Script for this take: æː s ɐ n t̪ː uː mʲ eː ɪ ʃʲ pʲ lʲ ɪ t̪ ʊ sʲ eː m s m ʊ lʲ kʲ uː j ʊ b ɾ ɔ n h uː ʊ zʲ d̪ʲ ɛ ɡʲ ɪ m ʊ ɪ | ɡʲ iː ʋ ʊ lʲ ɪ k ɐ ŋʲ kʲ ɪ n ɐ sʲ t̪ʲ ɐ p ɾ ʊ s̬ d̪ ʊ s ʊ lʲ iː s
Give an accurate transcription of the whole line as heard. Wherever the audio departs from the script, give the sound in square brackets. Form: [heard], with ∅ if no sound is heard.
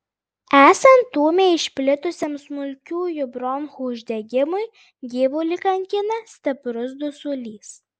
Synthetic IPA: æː s ɐ n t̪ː uː mʲ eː ɪ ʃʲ pʲ lʲ ɪ t̪ ʊ sʲ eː m s m ʊ lʲ kʲ uː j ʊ b ɾ ɔ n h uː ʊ [ʒʲ] d̪ʲ ɛ ɡʲ ɪ m ʊ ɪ | ɡʲ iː ʋ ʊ lʲ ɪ k ɐ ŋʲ kʲ ɪ n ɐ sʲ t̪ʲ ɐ p ɾ ʊ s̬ d̪ ʊ s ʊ lʲ iː s

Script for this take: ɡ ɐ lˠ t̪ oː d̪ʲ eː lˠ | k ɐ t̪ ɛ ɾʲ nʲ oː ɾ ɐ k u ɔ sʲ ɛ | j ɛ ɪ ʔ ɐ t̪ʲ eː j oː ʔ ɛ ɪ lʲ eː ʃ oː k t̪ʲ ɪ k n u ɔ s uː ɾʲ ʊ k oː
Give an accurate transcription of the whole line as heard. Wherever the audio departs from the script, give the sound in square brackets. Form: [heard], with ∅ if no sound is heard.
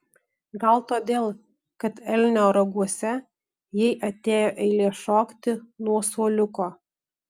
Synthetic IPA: ɡ ɐ lˠ t̪ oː d̪ʲ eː lˠ | k ɐ t̪ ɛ [lʲ] nʲ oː ɾ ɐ [ɡ] u ɔ sʲ ɛ | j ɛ ɪ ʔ ɐ t̪ʲ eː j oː ʔ ɛ ɪ lʲ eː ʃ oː k t̪ʲ ɪ [∅] n u ɔ s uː [lʲ] ʊ k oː

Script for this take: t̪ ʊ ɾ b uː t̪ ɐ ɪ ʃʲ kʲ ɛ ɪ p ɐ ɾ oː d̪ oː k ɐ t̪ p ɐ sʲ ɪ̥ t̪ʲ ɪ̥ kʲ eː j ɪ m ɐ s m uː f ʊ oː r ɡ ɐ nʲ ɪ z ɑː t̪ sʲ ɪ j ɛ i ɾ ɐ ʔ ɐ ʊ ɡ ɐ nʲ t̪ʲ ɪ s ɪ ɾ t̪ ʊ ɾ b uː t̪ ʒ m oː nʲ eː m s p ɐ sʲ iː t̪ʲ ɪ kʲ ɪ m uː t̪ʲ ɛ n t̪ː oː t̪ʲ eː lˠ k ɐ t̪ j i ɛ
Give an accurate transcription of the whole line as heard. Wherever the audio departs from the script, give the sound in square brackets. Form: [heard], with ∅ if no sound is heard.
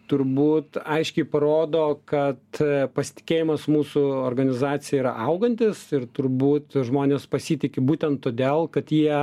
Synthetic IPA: t̪ ʊ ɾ b uː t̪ ɐ ɪ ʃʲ kʲ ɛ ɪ p ɐ ɾ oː d̪ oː k ɐ t̪ p ɐ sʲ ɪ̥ t̪ʲ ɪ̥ kʲ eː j ɪ m ɐ s m uː [s] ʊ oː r ɡ ɐ nʲ ɪ z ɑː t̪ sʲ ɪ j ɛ i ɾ ɐ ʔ ɐ ʊ ɡ ɐ nʲ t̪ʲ ɪ s ɪ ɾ t̪ ʊ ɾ b uː t̪ ʒ m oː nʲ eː [∅] s p ɐ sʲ iː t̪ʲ ɪ kʲ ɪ [b] uː t̪ʲ ɛ n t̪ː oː [d̪ʲ] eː lˠ k ɐ t̪ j i ɛ

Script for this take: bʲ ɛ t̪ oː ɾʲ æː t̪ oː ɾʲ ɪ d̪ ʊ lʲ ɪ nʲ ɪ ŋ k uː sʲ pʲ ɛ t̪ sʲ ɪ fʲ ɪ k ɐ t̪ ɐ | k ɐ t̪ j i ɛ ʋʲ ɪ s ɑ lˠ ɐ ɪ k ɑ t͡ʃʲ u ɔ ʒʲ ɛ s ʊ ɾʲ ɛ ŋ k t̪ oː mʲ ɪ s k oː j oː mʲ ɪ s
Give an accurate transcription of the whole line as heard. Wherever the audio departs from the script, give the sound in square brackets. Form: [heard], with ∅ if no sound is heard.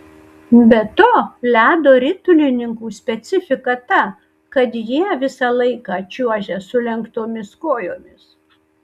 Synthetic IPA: bʲ ɛ t̪ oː [lʲ] æː [d̪] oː ɾʲ ɪ [t̪] ʊ lʲ ɪ nʲ ɪ ŋ k uː sʲ pʲ ɛ t̪ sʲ ɪ fʲ ɪ k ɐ t̪ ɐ | k ɐ t̪ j i ɛ ʋʲ ɪ s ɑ lˠ ɐ ɪ k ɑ t͡ʃʲ u ɔ ʒʲ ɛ s ʊ [lʲ] ɛ ŋ k t̪ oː mʲ ɪ s k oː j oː mʲ ɪ s

